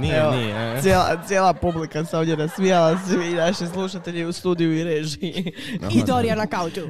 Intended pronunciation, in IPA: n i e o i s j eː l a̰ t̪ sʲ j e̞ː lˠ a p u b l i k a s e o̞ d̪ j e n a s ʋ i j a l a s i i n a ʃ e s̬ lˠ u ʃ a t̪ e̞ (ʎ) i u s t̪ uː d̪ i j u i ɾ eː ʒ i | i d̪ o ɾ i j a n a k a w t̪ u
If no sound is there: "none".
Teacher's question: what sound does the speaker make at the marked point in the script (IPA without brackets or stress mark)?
ʎ